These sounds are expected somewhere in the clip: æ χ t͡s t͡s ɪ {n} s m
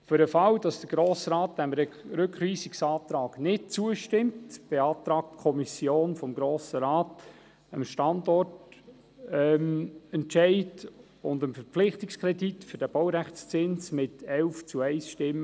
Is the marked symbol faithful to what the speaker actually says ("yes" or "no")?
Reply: yes